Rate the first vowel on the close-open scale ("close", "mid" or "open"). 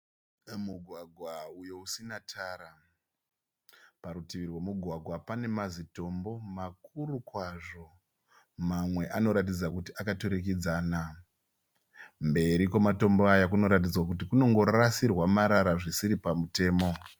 close